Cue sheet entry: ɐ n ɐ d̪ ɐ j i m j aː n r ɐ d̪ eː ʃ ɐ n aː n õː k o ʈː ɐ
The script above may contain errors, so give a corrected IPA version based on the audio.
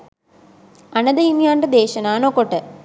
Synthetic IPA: ɐ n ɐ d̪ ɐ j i m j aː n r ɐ d̪ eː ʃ ɐ n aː n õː k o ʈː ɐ